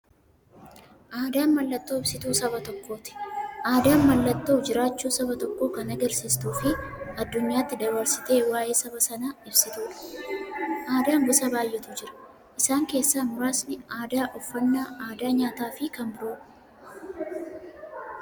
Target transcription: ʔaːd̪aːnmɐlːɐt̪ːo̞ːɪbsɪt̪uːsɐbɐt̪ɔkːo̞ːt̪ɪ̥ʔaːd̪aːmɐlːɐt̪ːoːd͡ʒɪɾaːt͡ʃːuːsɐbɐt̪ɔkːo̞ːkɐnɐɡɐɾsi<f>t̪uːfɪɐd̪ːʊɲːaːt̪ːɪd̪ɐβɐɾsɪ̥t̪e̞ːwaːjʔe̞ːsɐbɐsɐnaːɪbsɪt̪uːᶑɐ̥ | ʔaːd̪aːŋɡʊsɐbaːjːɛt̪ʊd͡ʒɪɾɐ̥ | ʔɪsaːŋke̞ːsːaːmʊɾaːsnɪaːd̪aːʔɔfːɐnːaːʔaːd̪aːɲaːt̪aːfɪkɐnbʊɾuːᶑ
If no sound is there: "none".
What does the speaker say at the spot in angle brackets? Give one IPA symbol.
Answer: s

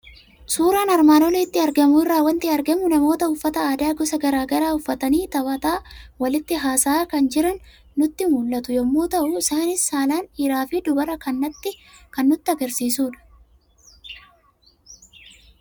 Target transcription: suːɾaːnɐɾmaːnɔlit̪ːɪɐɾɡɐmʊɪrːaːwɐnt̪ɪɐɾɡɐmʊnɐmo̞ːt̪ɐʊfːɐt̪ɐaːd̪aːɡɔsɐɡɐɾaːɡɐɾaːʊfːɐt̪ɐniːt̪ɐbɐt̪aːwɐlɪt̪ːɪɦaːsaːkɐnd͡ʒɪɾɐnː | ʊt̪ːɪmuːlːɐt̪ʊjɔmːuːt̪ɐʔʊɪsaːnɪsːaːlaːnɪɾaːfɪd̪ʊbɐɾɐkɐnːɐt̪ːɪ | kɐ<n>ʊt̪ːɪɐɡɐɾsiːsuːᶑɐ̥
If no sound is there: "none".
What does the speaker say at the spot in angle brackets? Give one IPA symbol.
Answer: nː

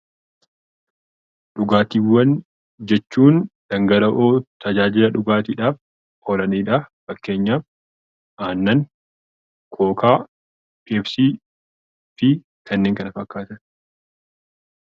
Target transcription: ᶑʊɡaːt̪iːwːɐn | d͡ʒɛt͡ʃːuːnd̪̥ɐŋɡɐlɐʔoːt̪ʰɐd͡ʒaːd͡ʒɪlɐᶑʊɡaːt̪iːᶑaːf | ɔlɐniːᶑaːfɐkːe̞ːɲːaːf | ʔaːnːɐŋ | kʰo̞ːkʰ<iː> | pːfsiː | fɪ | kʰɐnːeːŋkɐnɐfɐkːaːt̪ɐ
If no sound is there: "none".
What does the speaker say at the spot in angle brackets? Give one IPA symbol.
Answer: aː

